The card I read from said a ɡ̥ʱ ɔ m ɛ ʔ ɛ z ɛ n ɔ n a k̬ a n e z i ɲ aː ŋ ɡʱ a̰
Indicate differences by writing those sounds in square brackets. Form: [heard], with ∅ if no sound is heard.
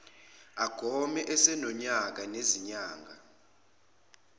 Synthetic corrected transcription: a ɡ̥ʱ ɔ m ɛ ʔ ɛ [s] ɛ n ɔ [ɲ] a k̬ a n e z i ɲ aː ŋ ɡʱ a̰